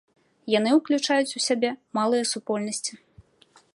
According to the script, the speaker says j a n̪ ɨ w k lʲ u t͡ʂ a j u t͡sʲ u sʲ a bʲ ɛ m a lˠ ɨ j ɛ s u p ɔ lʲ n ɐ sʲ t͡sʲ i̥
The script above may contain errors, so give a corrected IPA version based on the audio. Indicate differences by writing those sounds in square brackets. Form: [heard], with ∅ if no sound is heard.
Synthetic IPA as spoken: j a n̪ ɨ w k lʲ u t͡ʂ a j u t͡sʲ u sʲ a bʲ ɛ m a lˠ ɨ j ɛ s u p ɔ lʲ n ɐ sʲ t͡sʲ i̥